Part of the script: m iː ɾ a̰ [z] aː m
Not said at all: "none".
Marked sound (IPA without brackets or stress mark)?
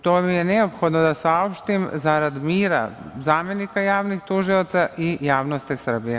z